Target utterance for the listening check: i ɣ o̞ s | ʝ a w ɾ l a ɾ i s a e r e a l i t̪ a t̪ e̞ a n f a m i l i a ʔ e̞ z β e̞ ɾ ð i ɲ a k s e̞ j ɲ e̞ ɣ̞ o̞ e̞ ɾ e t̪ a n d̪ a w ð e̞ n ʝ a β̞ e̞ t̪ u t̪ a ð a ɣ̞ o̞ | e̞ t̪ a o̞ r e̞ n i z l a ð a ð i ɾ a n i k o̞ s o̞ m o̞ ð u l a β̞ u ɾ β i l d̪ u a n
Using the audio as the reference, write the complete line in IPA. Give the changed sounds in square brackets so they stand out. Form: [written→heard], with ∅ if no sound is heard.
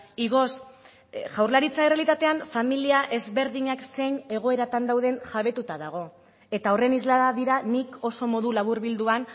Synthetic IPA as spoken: i ɣ o̞ s | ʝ a w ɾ l a ɾ i [s→t͡s] a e r e a l i t̪ a t̪ e̞ a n f a m i l i a ʔ e̞ z β e̞ ɾ ð i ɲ a k s e̞ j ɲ e̞ ɣ̞ o̞ e̞ ɾ [e→a] t̪ a n d̪ a w ð e̞ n ʝ a β̞ e̞ t̪ u t̪ a ð a ɣ̞ o̞ | e̞ t̪ a o̞ r e̞ n i z l a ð a ð i ɾ a n i k o̞ s o̞ m o̞ ð u l a β̞ u ɾ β i l d̪ u a n